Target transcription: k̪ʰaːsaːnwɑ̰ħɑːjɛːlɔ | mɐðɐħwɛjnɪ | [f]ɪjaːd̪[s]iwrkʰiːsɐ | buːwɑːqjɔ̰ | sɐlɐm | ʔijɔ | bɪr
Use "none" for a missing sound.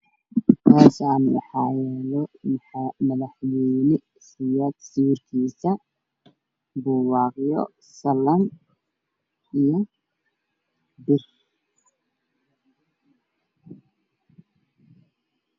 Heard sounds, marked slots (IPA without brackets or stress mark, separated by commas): s, s